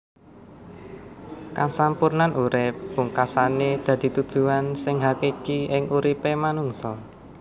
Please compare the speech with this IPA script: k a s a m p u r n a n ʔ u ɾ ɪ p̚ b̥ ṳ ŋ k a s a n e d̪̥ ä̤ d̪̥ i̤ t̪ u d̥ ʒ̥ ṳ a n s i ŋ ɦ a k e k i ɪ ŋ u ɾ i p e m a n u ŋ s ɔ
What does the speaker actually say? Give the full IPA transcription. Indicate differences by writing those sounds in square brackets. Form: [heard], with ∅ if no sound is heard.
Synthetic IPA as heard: k a s a m p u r n a n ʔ u ɾ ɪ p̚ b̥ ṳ ŋ k a s a n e d̪̥ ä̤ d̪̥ i̤ t̪ u d̥ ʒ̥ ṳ a n s [ɪ] ŋ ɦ a k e k i ɪ ŋ u ɾ i p e m a n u ŋ s ɔ